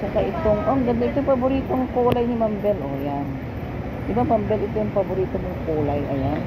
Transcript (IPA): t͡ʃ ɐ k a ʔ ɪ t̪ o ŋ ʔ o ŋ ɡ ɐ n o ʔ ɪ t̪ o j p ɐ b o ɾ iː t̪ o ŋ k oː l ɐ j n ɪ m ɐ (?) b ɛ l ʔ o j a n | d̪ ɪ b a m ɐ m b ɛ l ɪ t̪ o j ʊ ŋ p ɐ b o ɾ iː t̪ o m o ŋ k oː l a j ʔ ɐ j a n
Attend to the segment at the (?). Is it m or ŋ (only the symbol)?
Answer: m